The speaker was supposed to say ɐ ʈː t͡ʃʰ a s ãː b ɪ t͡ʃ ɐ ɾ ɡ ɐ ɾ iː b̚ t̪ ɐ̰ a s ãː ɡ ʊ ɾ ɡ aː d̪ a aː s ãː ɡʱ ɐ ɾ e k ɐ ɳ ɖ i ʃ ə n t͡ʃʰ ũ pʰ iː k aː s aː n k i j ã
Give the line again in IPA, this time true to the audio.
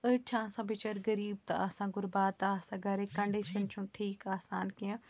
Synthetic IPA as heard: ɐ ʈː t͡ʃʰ a s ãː b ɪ t͡ʃ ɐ ɾ ɡ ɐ ɾ iː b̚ t̪ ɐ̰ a s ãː ɡ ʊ ɾ b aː t̪ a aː s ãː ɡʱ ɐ ɾ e k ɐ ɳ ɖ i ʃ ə n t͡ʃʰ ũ ʈʰ iː k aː s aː n k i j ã